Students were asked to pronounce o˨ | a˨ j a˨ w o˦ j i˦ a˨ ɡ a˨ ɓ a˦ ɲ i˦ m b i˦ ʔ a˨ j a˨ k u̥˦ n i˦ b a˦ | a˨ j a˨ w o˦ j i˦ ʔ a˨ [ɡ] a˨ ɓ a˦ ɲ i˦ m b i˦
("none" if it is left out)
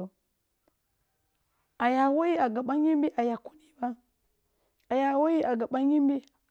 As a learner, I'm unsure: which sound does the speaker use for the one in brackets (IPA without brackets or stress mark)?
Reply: ɡ